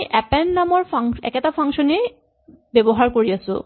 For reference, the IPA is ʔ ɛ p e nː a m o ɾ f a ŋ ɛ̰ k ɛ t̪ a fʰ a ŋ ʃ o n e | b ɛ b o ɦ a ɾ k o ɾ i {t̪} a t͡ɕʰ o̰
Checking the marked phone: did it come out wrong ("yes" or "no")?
yes